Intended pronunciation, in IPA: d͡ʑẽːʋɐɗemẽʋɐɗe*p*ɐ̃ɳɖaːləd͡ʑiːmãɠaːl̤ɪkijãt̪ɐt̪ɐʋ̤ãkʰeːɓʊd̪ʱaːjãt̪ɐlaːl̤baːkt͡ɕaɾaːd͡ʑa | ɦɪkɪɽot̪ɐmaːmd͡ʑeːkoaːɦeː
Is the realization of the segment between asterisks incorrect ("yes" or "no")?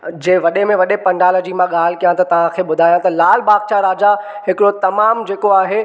no